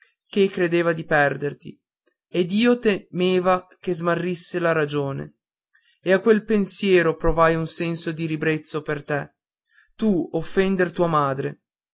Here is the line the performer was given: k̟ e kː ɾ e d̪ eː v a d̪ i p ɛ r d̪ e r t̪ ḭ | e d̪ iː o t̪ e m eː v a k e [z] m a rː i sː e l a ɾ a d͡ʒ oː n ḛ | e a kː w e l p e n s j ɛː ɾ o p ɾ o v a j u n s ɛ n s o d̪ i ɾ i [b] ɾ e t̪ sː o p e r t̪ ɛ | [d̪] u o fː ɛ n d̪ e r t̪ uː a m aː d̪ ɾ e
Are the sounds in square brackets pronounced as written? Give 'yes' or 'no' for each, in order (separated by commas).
yes, yes, no